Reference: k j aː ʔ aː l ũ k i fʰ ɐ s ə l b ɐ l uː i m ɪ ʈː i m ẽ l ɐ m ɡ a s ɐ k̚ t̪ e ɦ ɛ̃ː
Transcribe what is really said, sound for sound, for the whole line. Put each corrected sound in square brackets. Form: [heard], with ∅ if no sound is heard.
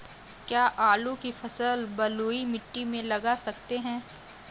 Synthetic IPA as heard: k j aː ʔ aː l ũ k i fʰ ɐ s ə l b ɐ l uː i m ɪ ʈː i m ẽ l ɐ [∅] ɡ a s ɐ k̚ t̪ e ɦ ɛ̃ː